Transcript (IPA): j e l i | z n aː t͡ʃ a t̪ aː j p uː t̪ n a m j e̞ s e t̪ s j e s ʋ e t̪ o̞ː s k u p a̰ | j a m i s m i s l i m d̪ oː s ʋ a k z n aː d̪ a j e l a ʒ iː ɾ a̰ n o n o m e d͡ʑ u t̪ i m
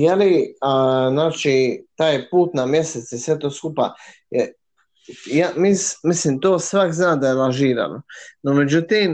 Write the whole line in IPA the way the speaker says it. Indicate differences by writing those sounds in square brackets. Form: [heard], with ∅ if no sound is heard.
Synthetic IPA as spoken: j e l i | z n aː t͡ʃ [i] t̪ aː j p uː t̪ n a m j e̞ s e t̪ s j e s ʋ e t̪ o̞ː s k u p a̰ | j a m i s m i s l i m [t̪] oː s ʋ a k z n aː d̪ a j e l a ʒ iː ɾ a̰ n o n o m e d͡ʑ u t̪ i m